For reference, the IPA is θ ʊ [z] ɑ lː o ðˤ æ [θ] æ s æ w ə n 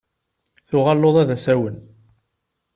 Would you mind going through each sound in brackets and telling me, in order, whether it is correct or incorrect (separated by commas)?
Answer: incorrect, incorrect